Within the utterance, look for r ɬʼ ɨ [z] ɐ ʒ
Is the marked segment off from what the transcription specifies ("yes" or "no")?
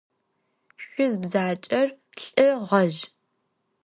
yes